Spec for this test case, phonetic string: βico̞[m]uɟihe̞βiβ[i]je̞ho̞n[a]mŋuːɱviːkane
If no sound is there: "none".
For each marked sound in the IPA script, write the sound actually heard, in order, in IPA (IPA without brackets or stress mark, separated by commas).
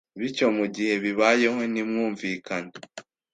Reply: m, a, i